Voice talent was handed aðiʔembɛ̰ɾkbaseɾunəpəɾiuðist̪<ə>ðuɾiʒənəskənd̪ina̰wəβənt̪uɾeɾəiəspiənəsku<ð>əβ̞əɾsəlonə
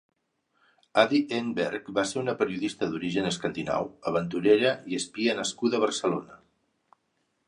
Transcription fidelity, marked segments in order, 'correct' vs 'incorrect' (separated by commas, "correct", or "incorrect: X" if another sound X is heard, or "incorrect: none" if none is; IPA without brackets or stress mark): correct, correct